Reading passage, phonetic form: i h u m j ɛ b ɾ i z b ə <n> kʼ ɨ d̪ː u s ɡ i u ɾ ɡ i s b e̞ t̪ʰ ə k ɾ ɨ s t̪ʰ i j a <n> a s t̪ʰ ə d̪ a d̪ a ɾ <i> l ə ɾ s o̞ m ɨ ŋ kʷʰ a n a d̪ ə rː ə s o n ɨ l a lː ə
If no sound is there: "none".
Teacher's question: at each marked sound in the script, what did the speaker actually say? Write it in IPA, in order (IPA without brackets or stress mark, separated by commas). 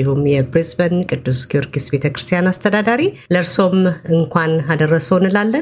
n, n, i